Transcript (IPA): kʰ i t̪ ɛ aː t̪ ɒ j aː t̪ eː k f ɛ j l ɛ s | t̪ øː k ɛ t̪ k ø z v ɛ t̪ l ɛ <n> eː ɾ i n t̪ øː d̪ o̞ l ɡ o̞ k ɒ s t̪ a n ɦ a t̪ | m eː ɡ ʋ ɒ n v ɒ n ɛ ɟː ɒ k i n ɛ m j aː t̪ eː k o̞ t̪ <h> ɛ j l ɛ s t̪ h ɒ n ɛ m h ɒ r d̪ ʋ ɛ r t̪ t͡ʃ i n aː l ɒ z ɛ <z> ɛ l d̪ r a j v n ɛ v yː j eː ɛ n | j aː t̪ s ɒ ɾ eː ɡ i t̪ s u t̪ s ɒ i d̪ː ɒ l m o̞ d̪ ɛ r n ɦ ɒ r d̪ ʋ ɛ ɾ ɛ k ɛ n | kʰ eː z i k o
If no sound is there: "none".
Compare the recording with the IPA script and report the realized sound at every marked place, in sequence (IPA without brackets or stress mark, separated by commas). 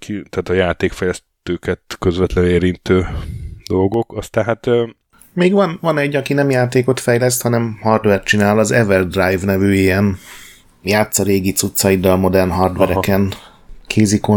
n, f, v